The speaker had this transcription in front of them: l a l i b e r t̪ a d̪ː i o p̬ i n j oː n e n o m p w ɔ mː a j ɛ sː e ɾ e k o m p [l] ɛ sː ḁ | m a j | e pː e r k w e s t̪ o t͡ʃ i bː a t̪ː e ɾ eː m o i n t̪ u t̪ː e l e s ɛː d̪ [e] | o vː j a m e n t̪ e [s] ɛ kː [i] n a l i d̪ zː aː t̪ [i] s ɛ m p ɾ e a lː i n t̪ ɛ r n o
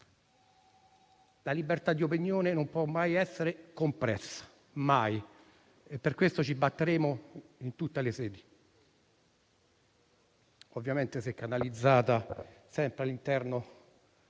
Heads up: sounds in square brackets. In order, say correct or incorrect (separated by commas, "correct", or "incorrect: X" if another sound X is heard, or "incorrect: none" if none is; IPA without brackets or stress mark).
incorrect: ɾ, incorrect: i, correct, incorrect: a, incorrect: a